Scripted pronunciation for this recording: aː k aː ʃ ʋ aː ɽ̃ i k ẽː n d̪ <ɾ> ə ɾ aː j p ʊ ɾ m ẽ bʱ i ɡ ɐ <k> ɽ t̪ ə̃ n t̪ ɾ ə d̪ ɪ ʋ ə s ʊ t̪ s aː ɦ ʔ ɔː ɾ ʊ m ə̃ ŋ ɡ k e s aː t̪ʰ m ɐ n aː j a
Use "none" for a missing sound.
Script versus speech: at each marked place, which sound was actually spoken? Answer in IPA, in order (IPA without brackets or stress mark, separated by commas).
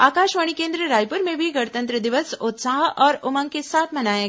ɾ, none